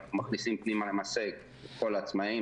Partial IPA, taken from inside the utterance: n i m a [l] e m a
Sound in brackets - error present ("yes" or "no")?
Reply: no